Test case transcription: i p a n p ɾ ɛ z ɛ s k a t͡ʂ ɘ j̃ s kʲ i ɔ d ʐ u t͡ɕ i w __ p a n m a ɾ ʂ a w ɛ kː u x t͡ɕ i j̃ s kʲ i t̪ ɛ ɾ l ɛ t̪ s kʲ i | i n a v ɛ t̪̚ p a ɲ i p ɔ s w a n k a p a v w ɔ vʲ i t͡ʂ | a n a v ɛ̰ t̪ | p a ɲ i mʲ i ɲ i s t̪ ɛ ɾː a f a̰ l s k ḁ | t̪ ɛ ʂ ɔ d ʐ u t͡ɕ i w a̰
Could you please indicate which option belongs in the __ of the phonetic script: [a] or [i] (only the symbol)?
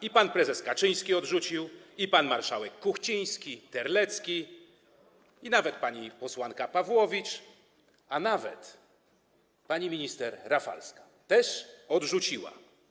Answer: i